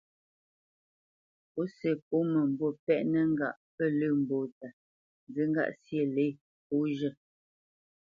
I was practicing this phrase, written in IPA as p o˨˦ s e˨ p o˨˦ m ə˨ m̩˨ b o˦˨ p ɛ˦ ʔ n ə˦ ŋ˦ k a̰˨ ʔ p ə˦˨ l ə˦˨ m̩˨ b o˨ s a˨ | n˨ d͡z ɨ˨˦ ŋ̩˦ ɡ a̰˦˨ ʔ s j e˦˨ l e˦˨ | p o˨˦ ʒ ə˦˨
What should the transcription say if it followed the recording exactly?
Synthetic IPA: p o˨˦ s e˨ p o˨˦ m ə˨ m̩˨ b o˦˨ p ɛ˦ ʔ n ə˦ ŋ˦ ɡ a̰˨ ʔ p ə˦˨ l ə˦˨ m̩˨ b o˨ t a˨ | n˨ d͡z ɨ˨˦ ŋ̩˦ ɡ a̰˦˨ ʔ s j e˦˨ l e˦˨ | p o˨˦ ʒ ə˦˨